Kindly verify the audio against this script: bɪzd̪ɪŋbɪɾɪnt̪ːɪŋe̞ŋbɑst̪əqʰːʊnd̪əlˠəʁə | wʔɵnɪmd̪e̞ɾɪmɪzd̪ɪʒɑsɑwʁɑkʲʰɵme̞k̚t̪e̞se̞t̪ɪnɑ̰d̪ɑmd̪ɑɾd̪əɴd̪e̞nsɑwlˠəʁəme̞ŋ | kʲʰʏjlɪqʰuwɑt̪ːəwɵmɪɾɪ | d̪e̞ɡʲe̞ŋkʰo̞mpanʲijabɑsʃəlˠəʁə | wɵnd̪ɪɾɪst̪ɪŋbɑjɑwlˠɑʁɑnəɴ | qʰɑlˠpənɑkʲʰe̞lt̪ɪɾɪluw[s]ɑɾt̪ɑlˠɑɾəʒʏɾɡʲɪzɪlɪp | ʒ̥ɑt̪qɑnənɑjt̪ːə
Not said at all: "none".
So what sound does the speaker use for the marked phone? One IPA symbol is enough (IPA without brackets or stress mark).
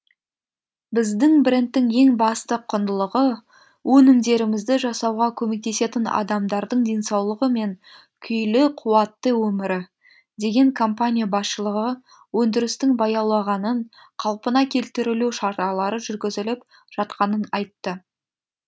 ʃ